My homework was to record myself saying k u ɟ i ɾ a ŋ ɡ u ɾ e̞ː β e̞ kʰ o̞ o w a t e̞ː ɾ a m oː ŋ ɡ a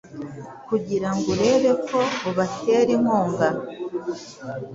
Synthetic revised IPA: k u ɟ i ɾ a ŋ ɡ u ɾ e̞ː β e̞ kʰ o̞ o β a t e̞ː ɾ i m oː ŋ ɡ a

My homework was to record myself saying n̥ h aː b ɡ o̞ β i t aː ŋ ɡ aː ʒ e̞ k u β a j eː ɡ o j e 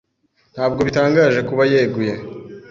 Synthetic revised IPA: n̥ h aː b ɡ o̞ β i t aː ŋ ɡ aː ʒ e̞ k u β a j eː ɡ u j e

